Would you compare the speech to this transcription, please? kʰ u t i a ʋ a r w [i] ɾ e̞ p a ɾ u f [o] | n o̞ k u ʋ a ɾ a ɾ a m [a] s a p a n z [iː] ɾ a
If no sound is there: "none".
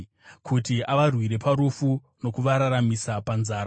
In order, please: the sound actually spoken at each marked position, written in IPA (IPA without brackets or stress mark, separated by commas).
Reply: i, u, i, aː